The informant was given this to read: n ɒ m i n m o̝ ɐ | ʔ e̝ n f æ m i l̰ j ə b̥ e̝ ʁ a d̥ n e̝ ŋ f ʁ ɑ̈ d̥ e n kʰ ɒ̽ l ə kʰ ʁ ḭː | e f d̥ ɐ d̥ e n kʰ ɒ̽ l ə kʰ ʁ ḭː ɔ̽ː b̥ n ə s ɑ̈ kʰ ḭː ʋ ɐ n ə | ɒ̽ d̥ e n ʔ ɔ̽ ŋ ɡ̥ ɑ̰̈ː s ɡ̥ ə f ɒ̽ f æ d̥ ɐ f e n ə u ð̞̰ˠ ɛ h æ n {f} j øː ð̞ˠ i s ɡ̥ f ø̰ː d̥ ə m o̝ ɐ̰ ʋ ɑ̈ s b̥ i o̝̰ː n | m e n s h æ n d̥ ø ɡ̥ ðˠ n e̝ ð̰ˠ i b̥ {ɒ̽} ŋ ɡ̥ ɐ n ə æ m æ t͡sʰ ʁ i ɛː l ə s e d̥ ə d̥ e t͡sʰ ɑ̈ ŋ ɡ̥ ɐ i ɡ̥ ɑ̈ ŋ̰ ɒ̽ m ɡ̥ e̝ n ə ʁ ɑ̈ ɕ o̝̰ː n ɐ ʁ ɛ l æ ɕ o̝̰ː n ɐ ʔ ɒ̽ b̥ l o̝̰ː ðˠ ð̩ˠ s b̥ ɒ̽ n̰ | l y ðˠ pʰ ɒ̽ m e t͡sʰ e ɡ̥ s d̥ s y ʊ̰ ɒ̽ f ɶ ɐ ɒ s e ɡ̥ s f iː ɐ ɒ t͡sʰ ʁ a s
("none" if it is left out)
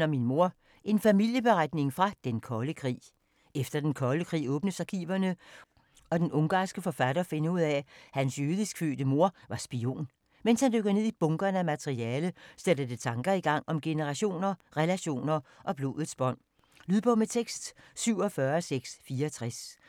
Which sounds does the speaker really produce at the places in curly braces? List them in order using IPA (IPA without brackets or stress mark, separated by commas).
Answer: s, ɔ̽